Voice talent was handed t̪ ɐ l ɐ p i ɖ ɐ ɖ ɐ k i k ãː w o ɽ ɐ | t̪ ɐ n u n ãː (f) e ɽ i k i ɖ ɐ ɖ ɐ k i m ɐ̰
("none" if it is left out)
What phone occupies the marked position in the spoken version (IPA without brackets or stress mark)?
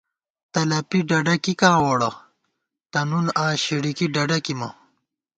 ɕ